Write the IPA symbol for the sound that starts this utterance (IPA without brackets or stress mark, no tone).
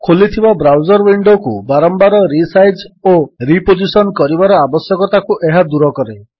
kʰ